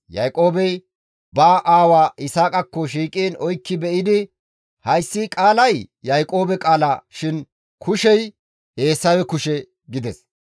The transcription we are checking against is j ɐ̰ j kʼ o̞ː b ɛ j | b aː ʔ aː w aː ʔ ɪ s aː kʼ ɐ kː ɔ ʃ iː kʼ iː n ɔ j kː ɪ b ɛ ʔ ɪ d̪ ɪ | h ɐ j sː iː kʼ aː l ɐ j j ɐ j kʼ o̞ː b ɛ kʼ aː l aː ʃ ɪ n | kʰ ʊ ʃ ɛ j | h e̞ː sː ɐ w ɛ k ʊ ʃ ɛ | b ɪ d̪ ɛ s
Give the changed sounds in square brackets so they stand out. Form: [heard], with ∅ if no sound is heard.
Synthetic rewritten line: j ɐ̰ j kʼ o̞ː b ɛ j | b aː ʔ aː w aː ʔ ɪ s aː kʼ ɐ kː ɔ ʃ iː kʼ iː n ɔ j kː ɪ b ɛ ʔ ɪ d̪ ɪ | h ɐ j sː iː kʼ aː l ɐ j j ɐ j kʼ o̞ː b ɛ kʼ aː l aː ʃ ɪ n | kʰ ʊ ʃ ɛ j | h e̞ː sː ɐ w ɛ k ʊ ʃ ɛ | [ɡ] ɪ d̪ ɛ s